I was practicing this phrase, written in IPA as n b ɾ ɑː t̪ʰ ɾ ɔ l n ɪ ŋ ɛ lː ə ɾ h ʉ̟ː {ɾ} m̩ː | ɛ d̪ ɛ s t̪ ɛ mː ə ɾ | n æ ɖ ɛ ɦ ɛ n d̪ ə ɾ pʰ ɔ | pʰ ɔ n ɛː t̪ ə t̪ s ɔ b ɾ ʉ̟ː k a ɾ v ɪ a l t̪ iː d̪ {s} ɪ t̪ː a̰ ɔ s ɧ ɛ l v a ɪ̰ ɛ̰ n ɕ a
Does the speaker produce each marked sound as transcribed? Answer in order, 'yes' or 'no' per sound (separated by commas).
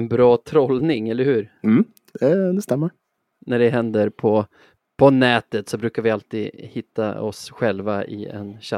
yes, no